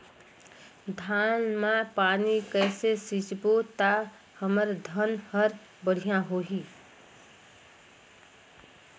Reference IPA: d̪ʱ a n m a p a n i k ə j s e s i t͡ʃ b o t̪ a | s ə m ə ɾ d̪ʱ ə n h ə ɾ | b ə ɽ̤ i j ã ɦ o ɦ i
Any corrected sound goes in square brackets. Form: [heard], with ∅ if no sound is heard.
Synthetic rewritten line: d̪ʱ a n m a p a n i k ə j s e s i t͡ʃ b o t̪ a | [h] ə m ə ɾ d̪ʱ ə n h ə ɾ | b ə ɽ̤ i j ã ɦ o ɦ i

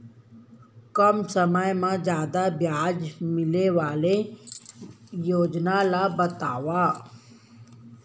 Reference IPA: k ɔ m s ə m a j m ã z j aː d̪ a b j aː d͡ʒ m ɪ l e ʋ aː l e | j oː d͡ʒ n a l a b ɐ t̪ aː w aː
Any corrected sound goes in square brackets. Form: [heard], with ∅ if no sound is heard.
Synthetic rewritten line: k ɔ m s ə m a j m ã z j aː d̪ a b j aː d͡ʒ m ɪ l e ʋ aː l e | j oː d͡ʒ n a l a b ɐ t̪ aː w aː

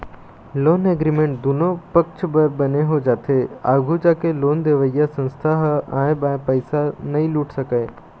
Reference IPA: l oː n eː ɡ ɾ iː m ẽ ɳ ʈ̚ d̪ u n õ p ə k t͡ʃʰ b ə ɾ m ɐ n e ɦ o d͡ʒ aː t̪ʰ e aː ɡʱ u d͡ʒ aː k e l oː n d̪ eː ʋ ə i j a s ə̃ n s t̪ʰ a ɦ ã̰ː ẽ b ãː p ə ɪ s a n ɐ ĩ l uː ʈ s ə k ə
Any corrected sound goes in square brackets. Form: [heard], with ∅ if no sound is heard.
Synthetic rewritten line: l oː n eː ɡ ɾ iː m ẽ ɳ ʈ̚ d̪ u n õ p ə k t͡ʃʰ b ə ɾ [b] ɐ n e ɦ o d͡ʒ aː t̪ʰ e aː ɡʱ u d͡ʒ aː k e l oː n d̪ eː ʋ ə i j a s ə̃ n s t̪ʰ a ɦ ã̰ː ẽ b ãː p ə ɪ s a n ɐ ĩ l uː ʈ s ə k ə

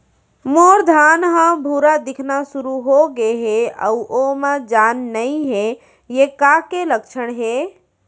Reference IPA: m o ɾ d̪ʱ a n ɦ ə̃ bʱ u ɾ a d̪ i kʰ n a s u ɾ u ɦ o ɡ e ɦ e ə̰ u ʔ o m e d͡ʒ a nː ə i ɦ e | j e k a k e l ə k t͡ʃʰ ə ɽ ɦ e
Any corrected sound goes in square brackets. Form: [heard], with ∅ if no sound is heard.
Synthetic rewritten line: m o ɾ d̪ʱ a n ɦ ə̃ bʱ u ɾ a d̪ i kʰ n a s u ɾ u ɦ o ɡ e ɦ e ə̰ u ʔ o m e d͡ʒ a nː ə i ɦ e | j e k a k e l ə k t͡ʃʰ ə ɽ ɦ e

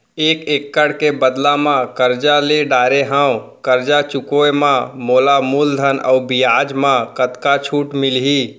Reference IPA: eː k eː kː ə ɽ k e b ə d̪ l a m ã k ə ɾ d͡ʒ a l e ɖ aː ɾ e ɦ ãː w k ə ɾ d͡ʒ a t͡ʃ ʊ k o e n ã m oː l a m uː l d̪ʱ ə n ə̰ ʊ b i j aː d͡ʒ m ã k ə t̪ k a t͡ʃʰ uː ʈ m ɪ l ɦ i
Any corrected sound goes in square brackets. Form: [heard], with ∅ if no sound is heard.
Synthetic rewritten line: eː k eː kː ə ɽ k e b ə d̪ l a m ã k ə ɾ d͡ʒ a l e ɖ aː ɾ e ɦ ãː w k ə ɾ d͡ʒ a t͡ʃ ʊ k o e [m] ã m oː l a m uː l d̪ʱ ə n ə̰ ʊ b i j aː d͡ʒ m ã k ə t̪ k a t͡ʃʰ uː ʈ m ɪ l ɦ i

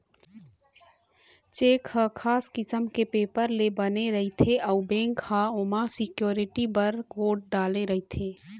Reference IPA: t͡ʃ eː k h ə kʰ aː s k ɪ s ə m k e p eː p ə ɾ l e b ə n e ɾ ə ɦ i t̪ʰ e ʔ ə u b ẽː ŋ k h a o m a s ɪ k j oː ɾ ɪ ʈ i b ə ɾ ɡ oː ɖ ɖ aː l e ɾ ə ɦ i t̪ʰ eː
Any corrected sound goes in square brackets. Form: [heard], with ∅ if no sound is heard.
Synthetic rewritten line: t͡ʃ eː k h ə kʰ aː s k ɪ s ə m k e p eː p ə ɾ l e b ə n e ɾ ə ɦ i t̪ʰ e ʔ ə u b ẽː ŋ k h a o m a s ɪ k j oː ɾ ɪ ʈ i b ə ɾ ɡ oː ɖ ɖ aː l e ɾ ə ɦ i t̪ʰ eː

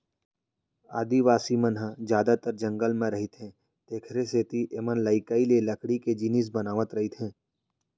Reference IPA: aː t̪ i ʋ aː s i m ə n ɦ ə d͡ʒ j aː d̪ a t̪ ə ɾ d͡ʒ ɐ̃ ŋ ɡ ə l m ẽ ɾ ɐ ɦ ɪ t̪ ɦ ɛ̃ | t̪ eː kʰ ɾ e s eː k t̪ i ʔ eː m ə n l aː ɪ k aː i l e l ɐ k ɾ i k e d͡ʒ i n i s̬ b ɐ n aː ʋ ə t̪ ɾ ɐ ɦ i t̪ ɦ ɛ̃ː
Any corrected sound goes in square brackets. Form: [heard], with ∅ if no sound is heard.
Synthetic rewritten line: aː [d̪] i ʋ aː s i m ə n ɦ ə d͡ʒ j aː d̪ a t̪ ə ɾ d͡ʒ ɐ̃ ŋ ɡ ə l m ẽ ɾ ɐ ɦ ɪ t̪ ɦ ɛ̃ | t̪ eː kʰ ɾ e s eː [∅] t̪ i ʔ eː m ə n l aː ɪ k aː i l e l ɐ k [ɽ] i k e d͡ʒ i n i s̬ b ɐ n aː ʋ ə t̪ ɾ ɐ ɦ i t̪ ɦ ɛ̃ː

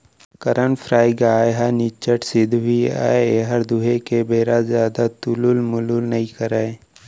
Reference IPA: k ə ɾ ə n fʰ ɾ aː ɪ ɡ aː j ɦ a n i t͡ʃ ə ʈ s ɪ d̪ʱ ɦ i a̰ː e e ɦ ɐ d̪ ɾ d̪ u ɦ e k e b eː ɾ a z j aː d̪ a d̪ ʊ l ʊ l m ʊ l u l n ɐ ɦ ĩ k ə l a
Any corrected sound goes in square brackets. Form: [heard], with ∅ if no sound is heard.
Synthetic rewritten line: k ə ɾ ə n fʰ ɾ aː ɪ ɡ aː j ɦ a n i t͡ʃ ə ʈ s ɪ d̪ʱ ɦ i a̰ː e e ɦ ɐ [∅] ɾ d̪ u ɦ e k e b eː ɾ a z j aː d̪ a [t̪] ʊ l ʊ l m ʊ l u l n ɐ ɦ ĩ k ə [ɾ] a

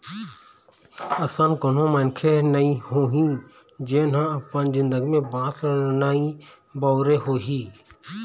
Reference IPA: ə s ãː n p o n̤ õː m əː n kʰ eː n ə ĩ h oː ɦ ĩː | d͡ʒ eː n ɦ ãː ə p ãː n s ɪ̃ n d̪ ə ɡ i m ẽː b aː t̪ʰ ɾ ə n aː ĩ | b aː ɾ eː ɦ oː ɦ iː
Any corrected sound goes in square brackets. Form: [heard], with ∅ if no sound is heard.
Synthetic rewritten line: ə s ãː n [k] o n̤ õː m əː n kʰ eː n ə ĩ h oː ɦ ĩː | d͡ʒ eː n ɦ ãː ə p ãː n [z] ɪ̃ n d̪ ə ɡ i m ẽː b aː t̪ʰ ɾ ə n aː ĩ | b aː ɾ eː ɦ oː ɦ iː

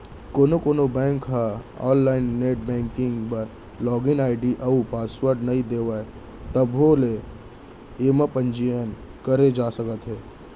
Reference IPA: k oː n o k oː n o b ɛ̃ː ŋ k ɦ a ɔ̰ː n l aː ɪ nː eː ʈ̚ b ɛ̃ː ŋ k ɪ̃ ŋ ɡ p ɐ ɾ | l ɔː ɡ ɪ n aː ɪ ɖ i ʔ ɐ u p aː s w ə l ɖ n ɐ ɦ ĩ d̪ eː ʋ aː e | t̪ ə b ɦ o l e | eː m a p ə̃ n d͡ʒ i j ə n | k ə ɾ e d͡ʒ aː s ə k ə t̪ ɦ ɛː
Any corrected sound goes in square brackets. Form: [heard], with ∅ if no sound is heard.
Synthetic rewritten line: k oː n o k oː n o b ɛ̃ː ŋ k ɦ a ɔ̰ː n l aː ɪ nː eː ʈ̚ b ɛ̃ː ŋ k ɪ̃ ŋ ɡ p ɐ ɾ | l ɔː ɡ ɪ n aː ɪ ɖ i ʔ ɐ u p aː s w ə [ɾ] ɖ n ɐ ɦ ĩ d̪ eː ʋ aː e | t̪ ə b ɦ o l e | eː m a p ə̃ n d͡ʒ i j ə n | k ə ɾ e d͡ʒ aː s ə k ə t̪ ɦ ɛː

